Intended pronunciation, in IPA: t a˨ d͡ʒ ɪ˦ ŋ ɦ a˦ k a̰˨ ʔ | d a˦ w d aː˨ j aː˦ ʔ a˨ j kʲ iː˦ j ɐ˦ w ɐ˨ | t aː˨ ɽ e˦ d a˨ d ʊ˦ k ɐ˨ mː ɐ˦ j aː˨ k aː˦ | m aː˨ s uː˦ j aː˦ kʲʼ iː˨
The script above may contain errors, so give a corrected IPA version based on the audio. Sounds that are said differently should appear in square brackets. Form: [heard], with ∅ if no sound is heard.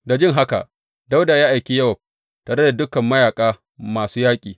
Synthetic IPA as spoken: [d] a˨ d͡ʒ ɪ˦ ŋ ɦ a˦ k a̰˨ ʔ | d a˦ w d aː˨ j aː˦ ʔ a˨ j kʲ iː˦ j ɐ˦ w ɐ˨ | t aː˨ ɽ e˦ d a˨ d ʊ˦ k ɐ˨ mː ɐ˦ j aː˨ [kʼ] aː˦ | m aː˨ s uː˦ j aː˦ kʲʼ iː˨